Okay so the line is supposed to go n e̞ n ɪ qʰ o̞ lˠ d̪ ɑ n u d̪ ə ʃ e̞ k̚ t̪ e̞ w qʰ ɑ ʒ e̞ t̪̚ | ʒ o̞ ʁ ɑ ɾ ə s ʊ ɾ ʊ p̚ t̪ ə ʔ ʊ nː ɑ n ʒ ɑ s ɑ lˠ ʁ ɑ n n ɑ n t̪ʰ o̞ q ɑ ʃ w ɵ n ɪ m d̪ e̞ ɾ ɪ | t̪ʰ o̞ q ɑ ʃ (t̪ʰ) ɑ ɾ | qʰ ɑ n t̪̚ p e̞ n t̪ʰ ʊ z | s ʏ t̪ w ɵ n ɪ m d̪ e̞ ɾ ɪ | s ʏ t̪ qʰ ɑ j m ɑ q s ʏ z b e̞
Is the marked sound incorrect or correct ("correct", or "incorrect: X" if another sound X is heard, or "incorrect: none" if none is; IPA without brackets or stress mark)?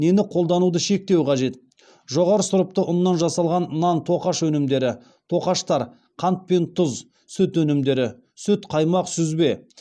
incorrect: t̪